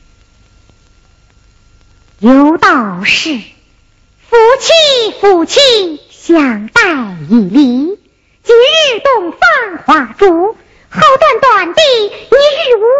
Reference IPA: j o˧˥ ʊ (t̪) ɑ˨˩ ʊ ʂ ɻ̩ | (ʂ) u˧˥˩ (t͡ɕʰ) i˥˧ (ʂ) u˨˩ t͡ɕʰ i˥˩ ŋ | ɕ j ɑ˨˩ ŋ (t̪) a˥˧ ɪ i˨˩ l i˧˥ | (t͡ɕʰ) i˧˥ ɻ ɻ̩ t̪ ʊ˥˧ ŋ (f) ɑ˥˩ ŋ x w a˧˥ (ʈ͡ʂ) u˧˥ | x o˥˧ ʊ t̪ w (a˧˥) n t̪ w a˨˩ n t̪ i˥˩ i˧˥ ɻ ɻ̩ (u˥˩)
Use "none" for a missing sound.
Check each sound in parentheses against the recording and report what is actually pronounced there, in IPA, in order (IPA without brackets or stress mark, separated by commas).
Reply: t̪, f, t͡ɕʰ, f, t̪, t͡ɕ, f, ʈ͡ʂ, a˥˩, u˧˥